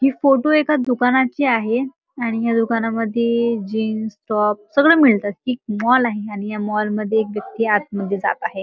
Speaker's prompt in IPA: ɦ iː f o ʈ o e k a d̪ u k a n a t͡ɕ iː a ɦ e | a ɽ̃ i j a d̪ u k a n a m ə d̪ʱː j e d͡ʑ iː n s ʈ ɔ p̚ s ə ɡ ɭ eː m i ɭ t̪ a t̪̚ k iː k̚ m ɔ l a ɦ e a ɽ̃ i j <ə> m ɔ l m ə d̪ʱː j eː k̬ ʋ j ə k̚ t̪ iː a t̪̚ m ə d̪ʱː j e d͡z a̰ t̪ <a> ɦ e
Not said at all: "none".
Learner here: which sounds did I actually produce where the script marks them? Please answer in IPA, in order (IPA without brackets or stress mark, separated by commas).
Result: a, a